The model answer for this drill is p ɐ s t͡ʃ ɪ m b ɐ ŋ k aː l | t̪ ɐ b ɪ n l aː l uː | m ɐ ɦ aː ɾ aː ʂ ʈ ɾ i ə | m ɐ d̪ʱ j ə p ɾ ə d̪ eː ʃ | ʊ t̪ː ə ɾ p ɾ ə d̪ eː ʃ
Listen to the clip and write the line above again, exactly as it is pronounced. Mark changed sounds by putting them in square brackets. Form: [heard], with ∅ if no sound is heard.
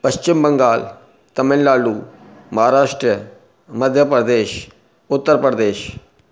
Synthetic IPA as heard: p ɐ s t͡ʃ ɪ m b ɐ ŋ [ɡ] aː l | t̪ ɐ [m] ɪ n l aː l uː | m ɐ ɦ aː ɾ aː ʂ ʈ ɾ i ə | m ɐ d̪ʱ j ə p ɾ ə d̪ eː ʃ | ʊ t̪ː ə ɾ p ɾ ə d̪ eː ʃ